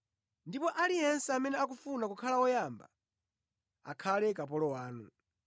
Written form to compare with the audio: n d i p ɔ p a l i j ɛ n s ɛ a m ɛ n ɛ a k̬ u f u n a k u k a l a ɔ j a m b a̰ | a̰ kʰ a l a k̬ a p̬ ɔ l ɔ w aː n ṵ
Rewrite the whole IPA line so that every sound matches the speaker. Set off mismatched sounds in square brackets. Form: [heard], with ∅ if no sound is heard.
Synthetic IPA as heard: n d i p ɔ [ʔ] a l i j ɛ n s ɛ a m ɛ n ɛ a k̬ u f u n a k u [kʰ] a l a ɔ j a m b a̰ | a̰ kʰ a l [ɛ] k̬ a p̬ ɔ l ɔ w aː n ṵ